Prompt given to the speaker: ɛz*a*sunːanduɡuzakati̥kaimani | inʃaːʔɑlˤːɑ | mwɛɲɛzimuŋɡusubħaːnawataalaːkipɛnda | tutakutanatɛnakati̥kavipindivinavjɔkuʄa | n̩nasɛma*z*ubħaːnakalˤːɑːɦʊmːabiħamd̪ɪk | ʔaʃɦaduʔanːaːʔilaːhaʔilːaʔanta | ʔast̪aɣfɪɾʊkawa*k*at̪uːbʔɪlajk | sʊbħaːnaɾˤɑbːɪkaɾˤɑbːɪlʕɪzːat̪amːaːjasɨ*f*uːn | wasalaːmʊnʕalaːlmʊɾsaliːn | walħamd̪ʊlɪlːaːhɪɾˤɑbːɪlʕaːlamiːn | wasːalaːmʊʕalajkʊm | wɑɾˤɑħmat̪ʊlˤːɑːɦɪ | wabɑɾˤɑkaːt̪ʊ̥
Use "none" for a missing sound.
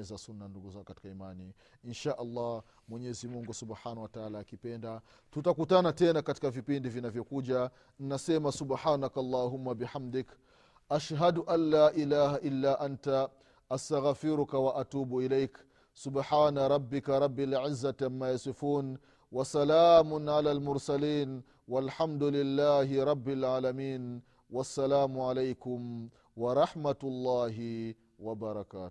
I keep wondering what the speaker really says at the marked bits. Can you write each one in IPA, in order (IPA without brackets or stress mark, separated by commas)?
a, s, ʔ, f